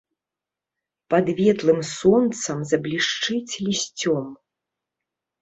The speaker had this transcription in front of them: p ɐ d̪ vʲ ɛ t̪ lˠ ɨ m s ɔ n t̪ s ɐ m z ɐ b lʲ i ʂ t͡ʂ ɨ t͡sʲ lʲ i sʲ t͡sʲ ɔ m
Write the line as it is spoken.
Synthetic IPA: p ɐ d̪ vʲ ɛ t̪ lˠ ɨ m s ɔ n t̪ s ɐ m z ɐ b lʲ i ʂ t͡ʂ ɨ t͡sʲ lʲ i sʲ t͡sʲ ɔ m